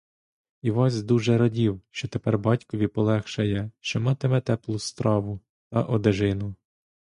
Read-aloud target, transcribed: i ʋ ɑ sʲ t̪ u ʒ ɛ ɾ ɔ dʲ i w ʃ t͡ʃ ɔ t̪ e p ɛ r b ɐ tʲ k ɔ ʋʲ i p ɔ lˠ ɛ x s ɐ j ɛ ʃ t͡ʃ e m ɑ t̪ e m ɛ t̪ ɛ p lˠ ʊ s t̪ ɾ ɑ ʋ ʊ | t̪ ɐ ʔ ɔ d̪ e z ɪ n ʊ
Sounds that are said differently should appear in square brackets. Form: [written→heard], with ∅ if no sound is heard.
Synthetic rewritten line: i ʋ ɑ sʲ [t̪→d̪] u ʒ ɛ ɾ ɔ dʲ i w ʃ t͡ʃ ɔ t̪ e p ɛ r b [ɐ→ɑ] tʲ k ɔ ʋʲ i p ɔ lˠ ɛ x [s→ʃ] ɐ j ɛ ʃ t͡ʃ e m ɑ t̪ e m ɛ t̪ ɛ p lˠ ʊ s t̪ ɾ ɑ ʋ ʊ | t̪ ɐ ʔ ɔ d̪ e [z→ʒ] ɪ n ʊ